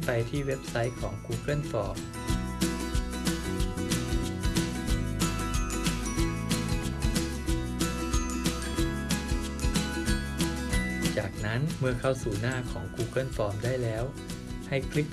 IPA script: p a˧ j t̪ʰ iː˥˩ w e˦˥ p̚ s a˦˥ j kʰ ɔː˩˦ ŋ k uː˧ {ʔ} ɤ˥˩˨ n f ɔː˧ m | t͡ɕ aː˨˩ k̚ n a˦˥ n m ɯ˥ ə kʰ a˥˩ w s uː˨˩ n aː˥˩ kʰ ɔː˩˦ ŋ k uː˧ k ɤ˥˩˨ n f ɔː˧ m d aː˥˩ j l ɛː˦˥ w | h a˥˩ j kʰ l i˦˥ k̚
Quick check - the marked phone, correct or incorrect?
incorrect